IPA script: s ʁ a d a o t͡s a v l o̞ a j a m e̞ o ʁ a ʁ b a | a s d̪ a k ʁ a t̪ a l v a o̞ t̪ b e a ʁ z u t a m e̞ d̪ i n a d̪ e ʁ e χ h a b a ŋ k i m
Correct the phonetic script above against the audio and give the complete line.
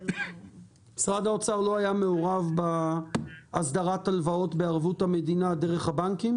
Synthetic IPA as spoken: s ʁ a d a o t͡s a ʁ l o̞ a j a m e̞ o ʁ a v b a | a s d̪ a ʁ a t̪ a l v a o̞ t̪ b e a ʁ v u t a m e̞ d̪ i n a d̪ e ʁ e χ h a b a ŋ k i m